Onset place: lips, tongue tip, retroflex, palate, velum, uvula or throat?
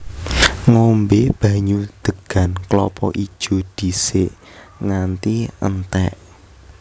velum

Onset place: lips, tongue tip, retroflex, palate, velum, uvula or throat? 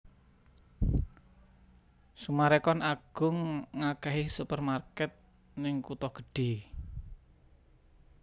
tongue tip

